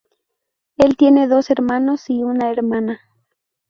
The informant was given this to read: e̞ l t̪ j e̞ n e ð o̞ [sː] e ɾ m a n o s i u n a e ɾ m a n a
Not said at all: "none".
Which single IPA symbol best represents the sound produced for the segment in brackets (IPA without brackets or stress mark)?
s